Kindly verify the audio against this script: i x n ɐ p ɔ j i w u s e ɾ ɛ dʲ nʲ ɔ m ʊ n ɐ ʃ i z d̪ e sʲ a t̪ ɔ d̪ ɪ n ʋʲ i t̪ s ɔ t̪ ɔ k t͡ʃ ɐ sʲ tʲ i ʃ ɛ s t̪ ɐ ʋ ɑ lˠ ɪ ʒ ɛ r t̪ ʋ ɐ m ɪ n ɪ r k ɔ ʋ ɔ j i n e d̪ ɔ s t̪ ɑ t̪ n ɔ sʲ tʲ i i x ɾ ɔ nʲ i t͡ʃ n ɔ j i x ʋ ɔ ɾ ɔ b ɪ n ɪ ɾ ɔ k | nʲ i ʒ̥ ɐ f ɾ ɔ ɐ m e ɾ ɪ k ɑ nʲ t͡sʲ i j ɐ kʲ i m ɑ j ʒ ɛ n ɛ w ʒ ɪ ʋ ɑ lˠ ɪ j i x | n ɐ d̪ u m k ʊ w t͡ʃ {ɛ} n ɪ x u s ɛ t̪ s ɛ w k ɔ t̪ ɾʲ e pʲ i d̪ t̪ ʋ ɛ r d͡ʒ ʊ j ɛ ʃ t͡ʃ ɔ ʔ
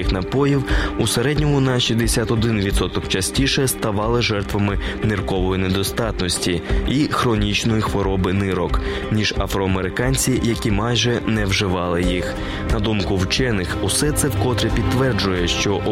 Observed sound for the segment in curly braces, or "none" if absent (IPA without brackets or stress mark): ɛ